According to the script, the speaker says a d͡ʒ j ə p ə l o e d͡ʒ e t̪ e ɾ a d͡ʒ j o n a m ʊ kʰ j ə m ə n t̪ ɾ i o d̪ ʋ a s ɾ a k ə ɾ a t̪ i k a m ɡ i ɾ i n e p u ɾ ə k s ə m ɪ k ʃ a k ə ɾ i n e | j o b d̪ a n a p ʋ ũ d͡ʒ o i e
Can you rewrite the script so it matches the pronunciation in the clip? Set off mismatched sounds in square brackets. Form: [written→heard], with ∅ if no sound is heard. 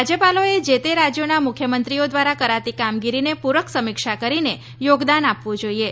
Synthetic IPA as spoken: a d͡ʒ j ə p [ə→a] l o e d͡ʒ e t̪ e ɾ a d͡ʒ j o n a m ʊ kʰ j ə m ə n t̪ ɾ i o d̪ ʋ a [s→∅] ɾ a k ə ɾ a t̪ i k a m ɡ i ɾ i n e p u ɾ ə k s ə m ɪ k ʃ a k ə ɾ i n e | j o [b→ɡ] d̪ a n a p ʋ ũ d͡ʒ o i e